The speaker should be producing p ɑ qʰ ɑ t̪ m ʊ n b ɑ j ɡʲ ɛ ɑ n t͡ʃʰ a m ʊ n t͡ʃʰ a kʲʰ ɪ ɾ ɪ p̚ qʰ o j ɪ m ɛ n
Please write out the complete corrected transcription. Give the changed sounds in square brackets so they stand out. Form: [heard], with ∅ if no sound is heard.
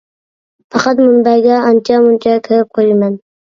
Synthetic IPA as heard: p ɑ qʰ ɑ t̪ m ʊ n b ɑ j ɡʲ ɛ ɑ n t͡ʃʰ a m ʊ n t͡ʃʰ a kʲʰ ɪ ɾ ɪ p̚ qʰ o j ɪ m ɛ n